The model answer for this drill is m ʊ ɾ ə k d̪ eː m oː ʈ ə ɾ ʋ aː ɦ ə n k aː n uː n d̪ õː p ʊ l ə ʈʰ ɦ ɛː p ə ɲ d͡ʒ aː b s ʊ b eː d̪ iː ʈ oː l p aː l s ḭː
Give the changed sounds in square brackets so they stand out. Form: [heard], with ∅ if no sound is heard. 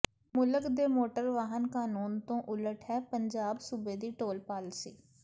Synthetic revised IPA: m ʊ [l] ə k d̪ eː m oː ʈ ə ɾ ʋ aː ɦ ə n k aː n uː n [t̪] õː [ʔ] ʊ l ə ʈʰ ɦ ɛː p ə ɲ d͡ʒ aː b s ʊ b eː d̪ iː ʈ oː l p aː l s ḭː